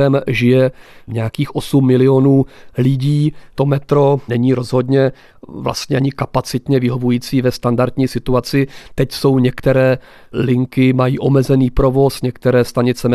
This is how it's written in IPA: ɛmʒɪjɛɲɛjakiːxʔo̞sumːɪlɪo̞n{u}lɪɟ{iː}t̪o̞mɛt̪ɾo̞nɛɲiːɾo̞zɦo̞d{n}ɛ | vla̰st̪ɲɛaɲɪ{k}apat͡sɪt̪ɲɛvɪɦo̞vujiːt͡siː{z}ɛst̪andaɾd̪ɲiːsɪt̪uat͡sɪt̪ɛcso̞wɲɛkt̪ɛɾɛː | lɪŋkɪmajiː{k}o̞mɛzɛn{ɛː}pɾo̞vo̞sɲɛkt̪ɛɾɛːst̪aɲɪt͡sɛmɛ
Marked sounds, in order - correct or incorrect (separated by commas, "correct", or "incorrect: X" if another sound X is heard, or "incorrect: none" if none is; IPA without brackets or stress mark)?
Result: incorrect: uː, correct, incorrect: ɲ, correct, incorrect: v, incorrect: ʔ, incorrect: iː